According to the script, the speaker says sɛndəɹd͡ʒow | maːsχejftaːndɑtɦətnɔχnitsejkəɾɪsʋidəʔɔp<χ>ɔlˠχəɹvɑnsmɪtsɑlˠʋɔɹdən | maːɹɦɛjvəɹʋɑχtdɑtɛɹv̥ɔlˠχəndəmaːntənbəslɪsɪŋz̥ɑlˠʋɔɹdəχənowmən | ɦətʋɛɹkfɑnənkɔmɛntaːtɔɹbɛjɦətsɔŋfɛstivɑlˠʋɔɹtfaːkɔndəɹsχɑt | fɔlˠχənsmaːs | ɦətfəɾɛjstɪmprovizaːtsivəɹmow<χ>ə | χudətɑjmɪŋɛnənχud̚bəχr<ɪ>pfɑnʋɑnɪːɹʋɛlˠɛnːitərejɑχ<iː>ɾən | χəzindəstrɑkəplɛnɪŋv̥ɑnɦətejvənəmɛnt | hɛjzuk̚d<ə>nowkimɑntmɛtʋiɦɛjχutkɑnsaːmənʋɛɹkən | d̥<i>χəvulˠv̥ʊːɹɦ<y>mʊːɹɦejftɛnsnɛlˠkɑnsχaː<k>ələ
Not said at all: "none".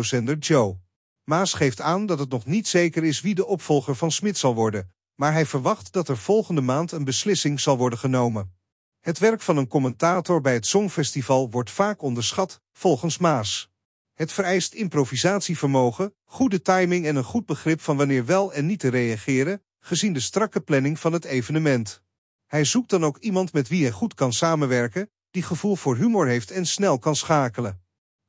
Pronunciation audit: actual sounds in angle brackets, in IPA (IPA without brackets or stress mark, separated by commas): f, χ, ɪ, ɪː, ɑ, i, y, k